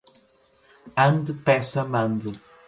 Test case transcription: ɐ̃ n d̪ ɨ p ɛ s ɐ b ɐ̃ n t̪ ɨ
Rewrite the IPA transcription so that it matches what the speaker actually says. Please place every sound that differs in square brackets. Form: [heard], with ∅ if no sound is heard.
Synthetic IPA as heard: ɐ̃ n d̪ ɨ p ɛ s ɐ [m] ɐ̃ n [d̪] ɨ